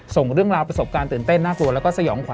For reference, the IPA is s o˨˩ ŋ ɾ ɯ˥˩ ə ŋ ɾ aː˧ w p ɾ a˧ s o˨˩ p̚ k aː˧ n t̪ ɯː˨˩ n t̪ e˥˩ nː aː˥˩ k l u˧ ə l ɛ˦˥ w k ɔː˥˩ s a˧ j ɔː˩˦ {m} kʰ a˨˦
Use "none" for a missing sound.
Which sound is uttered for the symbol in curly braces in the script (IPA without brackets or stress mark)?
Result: ŋ